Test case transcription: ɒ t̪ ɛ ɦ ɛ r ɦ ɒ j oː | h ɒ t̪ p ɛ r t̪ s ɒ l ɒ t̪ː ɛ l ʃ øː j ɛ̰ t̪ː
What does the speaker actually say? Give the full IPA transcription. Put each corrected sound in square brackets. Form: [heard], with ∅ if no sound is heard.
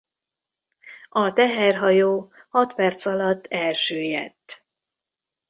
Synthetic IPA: ɒ t̪ ɛ ɦ ɛ r ɦ ɒ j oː | h ɒ t̪ p ɛ r t̪ s ɒ l ɒ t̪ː ɛ l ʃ øː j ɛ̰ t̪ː